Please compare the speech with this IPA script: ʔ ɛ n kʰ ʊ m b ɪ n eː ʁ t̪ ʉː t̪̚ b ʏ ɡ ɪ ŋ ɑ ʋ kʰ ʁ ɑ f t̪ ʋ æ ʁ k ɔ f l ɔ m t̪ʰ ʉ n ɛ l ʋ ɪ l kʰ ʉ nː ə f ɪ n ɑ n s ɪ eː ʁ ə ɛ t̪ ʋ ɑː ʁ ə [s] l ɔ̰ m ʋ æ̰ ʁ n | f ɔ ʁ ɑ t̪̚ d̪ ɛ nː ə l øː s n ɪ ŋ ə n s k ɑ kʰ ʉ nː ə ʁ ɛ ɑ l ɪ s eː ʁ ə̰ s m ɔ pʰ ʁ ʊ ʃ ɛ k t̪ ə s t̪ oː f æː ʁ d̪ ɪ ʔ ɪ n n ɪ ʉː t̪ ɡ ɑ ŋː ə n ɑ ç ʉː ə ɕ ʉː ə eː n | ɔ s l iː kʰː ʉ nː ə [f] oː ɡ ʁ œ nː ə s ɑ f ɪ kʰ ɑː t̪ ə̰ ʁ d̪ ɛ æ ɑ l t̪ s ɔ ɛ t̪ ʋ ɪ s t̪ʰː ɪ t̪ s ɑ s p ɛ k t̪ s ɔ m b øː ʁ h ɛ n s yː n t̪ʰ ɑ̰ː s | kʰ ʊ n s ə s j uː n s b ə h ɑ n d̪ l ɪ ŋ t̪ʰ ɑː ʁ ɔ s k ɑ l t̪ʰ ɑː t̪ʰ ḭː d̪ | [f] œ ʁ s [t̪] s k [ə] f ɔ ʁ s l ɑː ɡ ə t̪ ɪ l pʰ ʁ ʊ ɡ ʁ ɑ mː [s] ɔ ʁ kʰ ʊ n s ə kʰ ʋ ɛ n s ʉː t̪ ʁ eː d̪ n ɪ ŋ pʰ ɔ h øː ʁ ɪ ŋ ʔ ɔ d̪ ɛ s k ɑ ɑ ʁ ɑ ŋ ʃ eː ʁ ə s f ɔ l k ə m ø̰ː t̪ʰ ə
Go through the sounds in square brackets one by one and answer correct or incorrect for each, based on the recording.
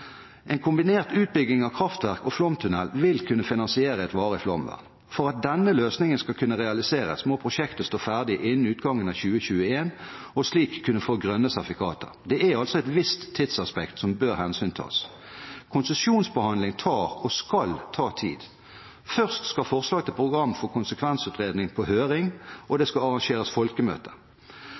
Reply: incorrect: f, correct, correct, correct, incorrect: ɑ, incorrect: f

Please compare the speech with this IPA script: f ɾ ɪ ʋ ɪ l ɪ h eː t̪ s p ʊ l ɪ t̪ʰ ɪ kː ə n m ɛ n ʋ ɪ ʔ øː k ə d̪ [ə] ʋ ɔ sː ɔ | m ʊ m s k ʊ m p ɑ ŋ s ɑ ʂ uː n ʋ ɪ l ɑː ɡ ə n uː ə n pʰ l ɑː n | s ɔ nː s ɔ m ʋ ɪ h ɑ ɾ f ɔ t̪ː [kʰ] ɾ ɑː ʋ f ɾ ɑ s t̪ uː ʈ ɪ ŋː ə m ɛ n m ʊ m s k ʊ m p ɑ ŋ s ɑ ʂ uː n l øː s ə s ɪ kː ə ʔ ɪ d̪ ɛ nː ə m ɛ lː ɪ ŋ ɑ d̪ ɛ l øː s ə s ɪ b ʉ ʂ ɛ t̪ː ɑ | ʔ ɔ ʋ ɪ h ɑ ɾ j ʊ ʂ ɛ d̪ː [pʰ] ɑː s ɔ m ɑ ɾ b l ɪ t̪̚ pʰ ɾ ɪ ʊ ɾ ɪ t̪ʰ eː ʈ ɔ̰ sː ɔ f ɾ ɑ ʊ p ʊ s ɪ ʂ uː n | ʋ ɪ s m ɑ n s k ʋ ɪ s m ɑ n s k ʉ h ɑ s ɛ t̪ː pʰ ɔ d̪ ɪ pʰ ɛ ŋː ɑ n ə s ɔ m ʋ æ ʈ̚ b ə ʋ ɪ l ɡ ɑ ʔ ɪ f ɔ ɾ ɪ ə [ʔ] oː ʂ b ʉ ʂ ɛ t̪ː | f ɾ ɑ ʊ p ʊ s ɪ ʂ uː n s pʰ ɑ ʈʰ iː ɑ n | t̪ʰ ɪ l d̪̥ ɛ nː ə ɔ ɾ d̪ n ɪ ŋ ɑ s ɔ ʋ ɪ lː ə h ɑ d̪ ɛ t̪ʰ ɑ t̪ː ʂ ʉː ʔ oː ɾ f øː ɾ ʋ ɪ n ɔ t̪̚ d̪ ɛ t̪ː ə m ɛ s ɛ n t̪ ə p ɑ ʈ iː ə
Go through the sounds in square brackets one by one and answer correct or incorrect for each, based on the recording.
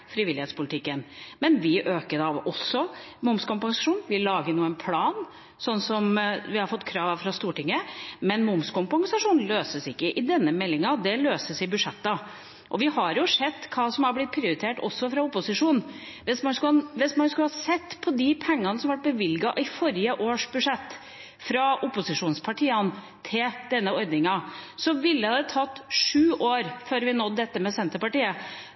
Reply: incorrect: ɑ, correct, incorrect: kʰ, correct

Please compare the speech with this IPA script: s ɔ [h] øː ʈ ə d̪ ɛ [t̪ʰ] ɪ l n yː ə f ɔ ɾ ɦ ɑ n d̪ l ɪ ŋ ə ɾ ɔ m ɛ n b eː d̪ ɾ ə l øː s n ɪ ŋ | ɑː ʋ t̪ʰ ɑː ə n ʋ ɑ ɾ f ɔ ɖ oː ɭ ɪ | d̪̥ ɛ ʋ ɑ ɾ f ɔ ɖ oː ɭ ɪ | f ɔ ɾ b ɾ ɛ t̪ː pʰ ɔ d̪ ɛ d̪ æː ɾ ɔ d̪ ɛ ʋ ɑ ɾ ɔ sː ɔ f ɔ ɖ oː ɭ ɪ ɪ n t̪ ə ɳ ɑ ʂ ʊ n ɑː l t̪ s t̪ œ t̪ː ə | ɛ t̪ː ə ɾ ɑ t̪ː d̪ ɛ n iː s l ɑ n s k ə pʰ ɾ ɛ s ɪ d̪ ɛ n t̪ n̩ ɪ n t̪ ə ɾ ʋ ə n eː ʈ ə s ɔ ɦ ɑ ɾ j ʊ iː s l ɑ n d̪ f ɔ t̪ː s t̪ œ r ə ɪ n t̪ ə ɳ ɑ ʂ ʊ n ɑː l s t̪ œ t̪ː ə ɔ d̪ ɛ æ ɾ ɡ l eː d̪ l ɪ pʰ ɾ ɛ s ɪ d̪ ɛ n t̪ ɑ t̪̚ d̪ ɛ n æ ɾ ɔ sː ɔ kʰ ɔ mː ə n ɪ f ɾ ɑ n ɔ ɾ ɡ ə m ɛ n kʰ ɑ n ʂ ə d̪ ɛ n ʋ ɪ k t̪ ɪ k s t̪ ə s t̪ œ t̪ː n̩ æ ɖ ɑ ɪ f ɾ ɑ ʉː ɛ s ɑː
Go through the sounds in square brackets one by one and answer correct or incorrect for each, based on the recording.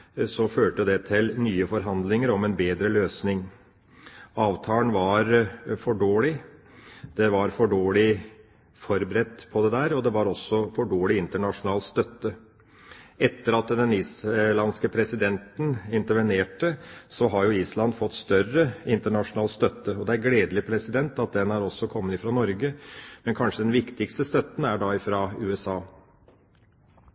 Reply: incorrect: f, correct

